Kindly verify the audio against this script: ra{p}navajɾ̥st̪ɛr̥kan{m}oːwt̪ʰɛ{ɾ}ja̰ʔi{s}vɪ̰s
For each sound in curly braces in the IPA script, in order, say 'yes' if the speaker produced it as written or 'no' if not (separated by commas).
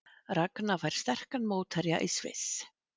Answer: no, yes, yes, yes